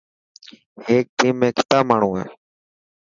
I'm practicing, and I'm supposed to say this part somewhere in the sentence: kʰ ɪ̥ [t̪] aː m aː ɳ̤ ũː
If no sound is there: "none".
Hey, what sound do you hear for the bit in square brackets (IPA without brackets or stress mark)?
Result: t̪